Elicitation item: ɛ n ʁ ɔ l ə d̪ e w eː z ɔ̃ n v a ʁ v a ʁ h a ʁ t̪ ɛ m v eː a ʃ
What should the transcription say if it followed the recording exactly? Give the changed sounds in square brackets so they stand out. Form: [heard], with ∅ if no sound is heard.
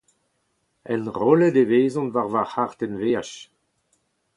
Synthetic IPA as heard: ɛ n ʁ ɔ l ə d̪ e [v] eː z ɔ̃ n v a ʁ v a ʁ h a ʁ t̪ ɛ [n] v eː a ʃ